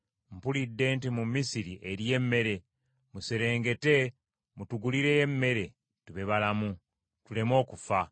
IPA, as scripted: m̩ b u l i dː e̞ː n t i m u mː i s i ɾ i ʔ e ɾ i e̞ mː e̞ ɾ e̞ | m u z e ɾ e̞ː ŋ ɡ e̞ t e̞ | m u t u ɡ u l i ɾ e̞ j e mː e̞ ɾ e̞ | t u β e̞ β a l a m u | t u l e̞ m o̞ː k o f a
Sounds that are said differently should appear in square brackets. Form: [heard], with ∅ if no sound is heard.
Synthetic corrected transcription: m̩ [p] u l i dː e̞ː n t i m u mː i s i ɾ i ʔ e ɾ [j] e̞ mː e̞ ɾ e̞ | m u [s] e ɾ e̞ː ŋ ɡ e̞ t e̞ | m u t u ɡ u l i ɾ e̞ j e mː e̞ ɾ e̞ | t u β e̞ β a l a m u | t u l e̞ m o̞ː k [u] f a